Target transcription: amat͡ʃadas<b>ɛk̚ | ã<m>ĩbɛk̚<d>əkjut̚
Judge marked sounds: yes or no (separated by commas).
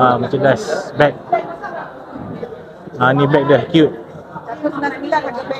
yes, no, yes